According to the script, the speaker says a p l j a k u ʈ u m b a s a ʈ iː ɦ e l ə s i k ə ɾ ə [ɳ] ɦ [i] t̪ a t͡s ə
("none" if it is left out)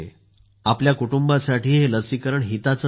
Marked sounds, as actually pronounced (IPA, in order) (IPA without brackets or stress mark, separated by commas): ɳ, i